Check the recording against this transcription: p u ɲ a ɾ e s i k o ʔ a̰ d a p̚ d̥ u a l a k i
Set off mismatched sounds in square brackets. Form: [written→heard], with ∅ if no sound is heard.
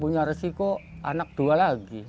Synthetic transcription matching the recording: p u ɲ a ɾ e s i k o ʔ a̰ [d→n] a [p̚→k̚] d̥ u a l a [k→ɡ] i